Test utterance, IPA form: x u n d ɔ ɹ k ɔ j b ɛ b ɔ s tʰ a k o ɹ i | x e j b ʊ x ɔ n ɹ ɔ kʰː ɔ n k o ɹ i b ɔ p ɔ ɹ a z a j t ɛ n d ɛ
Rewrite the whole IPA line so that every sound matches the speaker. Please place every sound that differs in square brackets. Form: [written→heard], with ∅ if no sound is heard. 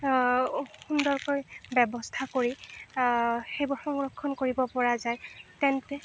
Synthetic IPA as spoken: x u n d ɔ ɹ k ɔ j b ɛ b ɔ s tʰ a k o ɹ i | x e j b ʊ x ɔ [n→ŋ] ɹ ɔ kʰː ɔ n k o ɹ i b ɔ p ɔ ɹ a z a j t ɛ n [d→t] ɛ